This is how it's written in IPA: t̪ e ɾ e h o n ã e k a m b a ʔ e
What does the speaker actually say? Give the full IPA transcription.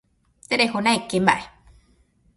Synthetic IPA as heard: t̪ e ɾ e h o n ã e k e m b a ʔ e